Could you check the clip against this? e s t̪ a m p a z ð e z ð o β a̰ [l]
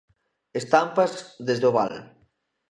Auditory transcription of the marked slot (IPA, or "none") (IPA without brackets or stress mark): l